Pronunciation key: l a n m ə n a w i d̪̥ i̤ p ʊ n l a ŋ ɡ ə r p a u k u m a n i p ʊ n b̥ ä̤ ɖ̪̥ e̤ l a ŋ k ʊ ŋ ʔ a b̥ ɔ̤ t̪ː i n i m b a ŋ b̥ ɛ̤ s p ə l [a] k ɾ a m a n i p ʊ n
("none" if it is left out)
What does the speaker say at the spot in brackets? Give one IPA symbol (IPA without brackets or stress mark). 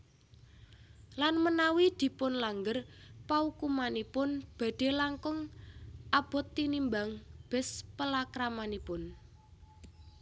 a